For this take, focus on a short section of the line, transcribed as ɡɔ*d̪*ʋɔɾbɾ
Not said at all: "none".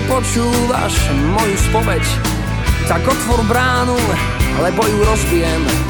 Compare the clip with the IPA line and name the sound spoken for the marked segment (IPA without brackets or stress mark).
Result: t̪